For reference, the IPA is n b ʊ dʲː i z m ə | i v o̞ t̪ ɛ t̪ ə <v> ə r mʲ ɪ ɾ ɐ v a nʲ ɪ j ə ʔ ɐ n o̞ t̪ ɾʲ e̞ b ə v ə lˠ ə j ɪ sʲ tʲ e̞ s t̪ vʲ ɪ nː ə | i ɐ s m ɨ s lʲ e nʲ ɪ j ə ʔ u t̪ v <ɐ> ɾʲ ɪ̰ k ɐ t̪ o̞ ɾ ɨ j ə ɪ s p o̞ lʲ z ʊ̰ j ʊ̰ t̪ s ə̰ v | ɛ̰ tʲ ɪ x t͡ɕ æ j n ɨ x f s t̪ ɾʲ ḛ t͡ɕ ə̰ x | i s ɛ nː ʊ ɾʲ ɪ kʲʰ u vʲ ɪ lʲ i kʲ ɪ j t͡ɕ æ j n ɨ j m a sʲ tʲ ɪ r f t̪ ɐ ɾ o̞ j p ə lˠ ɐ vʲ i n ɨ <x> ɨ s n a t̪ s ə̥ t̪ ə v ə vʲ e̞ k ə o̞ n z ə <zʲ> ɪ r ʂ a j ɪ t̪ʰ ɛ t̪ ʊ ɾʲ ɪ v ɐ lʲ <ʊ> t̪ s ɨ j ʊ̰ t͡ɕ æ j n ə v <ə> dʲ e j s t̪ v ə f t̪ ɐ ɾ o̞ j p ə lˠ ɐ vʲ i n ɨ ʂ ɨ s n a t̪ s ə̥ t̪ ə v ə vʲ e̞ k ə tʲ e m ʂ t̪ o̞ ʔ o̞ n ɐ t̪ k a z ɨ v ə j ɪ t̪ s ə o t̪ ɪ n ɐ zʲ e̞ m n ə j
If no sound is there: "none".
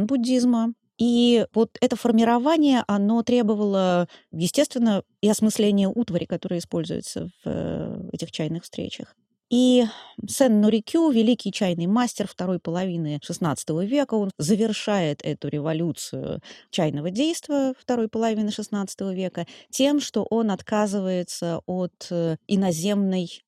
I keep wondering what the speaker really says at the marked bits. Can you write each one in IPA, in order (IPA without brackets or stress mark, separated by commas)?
f, ə, ʂ, vʲ, u, ə